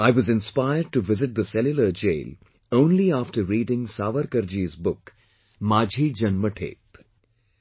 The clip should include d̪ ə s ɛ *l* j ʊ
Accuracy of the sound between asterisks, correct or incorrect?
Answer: correct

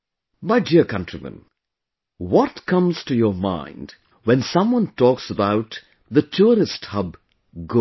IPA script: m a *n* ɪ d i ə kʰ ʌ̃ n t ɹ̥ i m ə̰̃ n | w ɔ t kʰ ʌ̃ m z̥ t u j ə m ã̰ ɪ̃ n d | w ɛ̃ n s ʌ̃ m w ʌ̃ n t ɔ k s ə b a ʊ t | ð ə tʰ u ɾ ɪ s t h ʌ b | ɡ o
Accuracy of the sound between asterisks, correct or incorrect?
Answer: incorrect: none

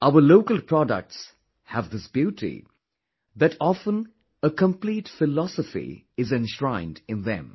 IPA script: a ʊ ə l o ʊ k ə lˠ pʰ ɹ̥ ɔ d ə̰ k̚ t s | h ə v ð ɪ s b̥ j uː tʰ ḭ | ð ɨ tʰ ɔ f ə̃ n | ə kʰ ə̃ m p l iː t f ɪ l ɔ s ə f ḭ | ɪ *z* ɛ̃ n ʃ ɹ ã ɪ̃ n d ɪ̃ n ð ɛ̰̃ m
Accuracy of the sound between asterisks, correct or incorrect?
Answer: correct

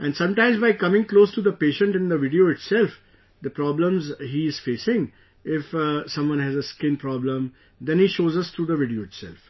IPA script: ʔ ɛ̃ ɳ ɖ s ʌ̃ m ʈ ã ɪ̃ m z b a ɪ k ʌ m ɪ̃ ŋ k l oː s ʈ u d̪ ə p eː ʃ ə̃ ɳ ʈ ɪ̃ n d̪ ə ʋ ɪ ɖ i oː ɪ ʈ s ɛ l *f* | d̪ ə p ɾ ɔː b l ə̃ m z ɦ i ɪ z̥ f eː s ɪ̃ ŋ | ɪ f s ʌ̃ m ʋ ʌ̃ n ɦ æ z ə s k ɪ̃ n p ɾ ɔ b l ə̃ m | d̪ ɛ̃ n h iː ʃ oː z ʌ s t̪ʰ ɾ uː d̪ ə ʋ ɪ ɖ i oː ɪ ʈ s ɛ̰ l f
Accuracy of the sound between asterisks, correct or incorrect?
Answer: correct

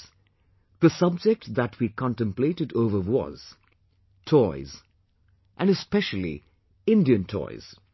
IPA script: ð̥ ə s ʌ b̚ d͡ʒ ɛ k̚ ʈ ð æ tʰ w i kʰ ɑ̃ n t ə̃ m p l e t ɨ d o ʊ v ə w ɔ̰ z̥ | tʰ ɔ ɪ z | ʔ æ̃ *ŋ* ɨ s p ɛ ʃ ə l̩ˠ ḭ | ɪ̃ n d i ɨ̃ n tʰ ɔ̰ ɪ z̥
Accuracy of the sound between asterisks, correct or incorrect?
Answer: incorrect: n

